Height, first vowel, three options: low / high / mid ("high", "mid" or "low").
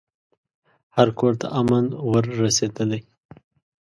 low